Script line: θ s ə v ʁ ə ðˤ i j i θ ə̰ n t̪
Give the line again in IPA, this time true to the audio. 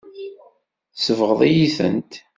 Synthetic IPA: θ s ə v ʁ ə ðˤ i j i θ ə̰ n t̪